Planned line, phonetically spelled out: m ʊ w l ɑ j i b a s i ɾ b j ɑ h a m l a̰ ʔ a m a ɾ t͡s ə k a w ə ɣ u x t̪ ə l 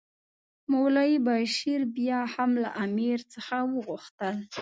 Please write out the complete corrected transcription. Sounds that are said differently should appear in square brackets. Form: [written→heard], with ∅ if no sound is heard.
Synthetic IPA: m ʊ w l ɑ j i b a [s→ʃ] i ɾ b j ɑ h a m l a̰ ʔ a m [a→i] ɾ t͡s ə [k→x] a w ə ɣ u x t̪ ə l